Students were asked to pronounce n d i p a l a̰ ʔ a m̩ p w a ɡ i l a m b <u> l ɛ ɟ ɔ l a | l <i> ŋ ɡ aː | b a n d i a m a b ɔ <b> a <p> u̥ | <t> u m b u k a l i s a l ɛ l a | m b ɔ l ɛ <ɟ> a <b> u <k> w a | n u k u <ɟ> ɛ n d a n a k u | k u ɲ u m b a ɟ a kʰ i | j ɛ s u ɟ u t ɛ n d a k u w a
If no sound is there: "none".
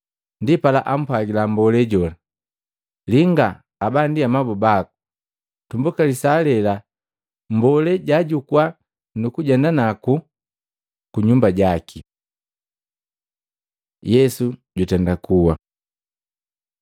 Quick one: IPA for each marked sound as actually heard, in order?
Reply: ɔ, i, b, k, t, ɟ, ɟ, k, ɟ

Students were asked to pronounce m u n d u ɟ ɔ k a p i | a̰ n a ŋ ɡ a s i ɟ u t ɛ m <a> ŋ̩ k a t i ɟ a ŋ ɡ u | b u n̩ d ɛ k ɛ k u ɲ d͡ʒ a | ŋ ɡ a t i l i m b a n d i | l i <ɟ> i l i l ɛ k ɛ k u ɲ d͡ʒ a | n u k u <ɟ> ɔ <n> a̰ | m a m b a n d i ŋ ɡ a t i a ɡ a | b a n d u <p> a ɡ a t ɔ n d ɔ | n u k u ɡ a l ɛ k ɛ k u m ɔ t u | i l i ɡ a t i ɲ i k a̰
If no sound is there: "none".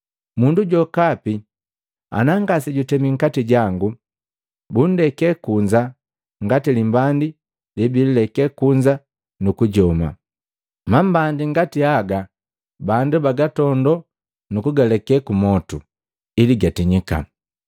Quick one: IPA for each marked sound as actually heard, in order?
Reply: i, b, ɟ, m, b

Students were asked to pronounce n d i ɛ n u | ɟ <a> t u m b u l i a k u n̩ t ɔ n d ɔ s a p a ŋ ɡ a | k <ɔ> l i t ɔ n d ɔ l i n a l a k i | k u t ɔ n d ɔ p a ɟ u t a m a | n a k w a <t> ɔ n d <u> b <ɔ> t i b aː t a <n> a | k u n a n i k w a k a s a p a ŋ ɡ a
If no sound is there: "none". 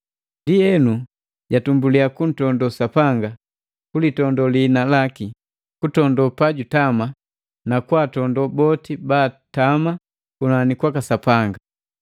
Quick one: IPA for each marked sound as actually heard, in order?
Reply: a, u, t, ɔ, ɔ, m

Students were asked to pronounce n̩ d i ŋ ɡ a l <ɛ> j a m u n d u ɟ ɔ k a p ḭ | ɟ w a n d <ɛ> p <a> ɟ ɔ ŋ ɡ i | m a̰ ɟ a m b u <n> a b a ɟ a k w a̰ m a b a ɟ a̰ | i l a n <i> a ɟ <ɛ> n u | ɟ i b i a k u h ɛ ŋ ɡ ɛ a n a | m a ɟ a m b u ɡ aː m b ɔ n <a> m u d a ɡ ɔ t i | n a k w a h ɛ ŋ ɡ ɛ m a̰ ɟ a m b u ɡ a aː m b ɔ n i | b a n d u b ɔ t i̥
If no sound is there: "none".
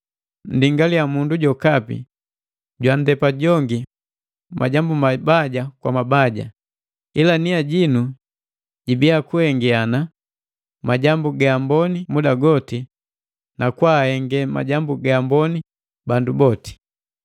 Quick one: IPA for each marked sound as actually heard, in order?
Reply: i, ɛ, a, m, i, i, i

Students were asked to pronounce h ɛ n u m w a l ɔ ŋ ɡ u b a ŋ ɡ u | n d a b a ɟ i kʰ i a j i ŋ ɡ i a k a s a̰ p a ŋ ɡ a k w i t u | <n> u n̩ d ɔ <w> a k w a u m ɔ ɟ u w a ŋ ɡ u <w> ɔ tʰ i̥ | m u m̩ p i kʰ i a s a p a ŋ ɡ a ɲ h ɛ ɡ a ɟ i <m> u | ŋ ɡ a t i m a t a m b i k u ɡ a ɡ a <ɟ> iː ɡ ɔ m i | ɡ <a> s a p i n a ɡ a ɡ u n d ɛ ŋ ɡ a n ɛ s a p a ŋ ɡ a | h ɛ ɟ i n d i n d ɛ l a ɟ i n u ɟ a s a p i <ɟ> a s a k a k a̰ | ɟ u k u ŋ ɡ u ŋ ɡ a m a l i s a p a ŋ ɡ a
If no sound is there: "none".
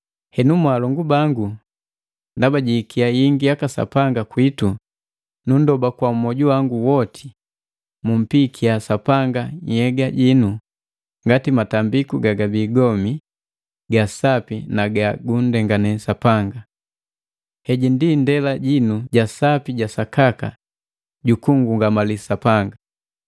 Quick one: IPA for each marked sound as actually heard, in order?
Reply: n, b, w, n, b, a, ɟ

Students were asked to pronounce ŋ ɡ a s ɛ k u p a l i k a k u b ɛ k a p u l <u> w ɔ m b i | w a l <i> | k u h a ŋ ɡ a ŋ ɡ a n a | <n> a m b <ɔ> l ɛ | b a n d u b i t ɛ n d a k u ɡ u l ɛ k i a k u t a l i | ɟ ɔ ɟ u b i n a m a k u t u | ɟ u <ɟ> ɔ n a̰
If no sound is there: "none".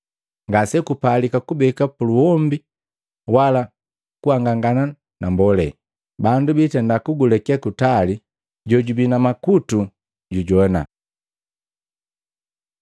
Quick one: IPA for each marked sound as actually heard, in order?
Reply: u, a, n, ɔ, ɟ

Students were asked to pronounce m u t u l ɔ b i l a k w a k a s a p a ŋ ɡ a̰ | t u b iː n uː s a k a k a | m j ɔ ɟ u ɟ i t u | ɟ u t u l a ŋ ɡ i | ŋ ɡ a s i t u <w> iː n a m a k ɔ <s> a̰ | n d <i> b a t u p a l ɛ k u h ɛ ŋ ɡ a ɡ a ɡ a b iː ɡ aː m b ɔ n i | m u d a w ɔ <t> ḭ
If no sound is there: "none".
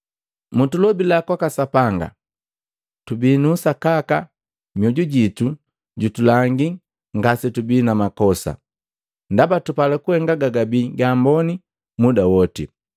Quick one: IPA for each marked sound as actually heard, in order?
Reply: b, s, a, t

